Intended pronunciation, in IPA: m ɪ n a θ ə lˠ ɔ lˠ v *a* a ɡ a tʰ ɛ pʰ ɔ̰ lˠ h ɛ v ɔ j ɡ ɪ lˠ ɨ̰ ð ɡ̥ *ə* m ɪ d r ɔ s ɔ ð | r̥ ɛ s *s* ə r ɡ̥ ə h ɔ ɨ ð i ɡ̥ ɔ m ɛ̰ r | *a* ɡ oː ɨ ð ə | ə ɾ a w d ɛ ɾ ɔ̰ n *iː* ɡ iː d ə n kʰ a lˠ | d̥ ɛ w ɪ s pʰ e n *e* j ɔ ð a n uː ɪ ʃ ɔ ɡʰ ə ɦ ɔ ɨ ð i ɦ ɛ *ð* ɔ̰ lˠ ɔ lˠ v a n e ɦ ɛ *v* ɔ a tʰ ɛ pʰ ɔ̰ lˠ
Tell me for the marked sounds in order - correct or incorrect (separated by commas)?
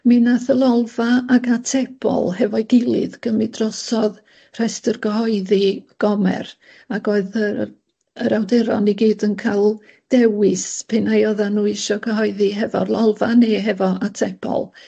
correct, correct, incorrect, correct, incorrect, incorrect, incorrect, correct